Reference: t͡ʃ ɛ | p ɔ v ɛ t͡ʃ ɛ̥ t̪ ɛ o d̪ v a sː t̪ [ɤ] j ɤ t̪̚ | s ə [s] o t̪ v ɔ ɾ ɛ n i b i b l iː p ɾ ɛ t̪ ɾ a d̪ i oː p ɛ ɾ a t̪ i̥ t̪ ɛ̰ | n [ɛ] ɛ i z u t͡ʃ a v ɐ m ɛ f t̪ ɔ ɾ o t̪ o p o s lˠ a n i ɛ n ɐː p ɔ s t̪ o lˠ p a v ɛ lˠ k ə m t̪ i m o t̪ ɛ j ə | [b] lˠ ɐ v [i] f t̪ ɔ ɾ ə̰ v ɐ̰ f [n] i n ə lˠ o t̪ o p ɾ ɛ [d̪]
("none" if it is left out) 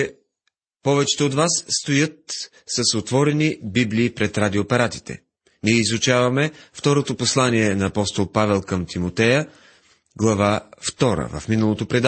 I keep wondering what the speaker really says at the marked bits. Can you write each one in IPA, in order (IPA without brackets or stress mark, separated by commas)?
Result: o, s, i, ɡ, a, m, d̪